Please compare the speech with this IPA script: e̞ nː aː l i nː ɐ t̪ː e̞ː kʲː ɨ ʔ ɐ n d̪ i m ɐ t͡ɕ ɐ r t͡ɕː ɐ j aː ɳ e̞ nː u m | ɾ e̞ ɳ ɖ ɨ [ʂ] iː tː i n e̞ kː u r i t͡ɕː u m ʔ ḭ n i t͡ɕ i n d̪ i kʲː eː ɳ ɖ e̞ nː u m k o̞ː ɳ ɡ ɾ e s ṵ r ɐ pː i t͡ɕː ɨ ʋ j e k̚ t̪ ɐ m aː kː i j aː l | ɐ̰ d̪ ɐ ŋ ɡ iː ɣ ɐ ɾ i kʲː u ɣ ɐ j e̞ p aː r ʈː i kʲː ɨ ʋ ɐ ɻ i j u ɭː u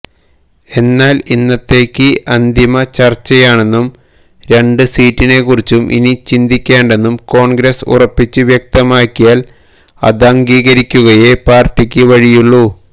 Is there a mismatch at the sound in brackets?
yes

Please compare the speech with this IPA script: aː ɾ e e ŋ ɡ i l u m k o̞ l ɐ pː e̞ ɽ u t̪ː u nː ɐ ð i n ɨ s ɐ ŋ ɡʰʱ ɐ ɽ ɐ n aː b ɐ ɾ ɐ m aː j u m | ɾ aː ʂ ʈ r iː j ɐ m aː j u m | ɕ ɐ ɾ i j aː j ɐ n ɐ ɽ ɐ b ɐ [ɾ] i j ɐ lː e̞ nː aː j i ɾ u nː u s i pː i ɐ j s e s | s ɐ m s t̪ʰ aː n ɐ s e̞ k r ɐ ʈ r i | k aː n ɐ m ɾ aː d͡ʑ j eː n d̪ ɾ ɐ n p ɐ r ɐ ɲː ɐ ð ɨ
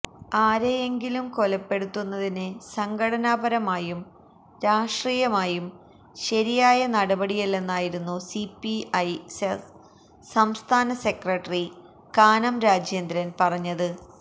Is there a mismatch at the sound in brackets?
yes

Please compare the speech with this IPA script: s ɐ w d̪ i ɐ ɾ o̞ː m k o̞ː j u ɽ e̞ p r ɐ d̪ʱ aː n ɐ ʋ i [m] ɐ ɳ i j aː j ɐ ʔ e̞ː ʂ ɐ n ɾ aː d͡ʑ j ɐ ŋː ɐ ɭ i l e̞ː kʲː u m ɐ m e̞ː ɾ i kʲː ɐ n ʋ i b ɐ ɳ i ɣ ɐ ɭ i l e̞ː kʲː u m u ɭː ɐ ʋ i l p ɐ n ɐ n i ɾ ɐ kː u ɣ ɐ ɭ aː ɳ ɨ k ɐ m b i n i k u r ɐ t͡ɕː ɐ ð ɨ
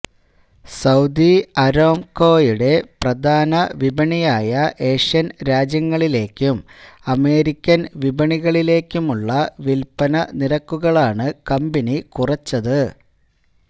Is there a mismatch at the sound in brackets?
yes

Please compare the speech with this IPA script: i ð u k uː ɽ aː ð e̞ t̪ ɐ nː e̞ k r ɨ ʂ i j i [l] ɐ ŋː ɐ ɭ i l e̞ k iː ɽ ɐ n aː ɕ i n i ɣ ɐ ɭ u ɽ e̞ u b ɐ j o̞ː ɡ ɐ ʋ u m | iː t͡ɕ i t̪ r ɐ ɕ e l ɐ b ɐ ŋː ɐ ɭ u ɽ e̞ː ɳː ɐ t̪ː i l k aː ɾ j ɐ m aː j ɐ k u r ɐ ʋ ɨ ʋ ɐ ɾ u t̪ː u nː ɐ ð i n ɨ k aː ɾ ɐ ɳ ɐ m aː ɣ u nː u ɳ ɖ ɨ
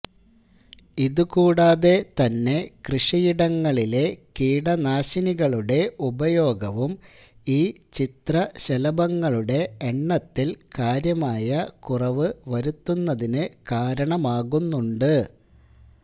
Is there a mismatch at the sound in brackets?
yes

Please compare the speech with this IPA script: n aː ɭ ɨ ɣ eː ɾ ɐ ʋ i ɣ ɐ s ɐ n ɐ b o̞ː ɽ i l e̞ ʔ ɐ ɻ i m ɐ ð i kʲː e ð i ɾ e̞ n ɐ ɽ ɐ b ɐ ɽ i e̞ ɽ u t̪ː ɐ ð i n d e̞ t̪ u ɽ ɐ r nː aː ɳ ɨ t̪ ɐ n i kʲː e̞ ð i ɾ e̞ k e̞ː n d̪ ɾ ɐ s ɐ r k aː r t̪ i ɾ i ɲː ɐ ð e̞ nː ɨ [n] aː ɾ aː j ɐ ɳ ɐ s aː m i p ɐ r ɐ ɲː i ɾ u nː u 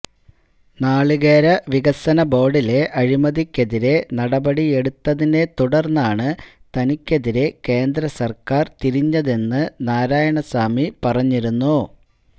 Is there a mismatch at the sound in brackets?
no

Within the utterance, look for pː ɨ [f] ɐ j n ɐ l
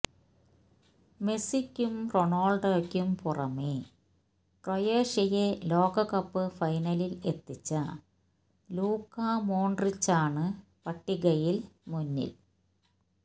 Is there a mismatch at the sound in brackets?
no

